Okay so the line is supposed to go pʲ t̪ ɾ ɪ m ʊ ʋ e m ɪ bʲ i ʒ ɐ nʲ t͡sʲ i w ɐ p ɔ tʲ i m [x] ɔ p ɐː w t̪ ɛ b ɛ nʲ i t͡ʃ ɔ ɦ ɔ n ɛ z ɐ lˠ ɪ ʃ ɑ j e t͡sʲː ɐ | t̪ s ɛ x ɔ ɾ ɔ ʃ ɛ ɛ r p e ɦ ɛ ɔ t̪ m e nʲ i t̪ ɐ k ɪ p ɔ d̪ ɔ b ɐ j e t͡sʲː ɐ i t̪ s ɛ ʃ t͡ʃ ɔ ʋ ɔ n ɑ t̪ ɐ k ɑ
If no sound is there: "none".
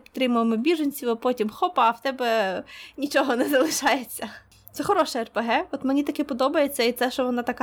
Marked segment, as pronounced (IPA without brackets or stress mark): x